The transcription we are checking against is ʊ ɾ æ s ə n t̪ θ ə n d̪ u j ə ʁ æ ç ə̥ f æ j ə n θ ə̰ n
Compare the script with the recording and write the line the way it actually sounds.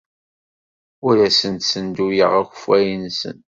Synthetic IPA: ʊ ɾ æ s ə n t̪ s ə n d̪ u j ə ʁ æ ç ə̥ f æ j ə n s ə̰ n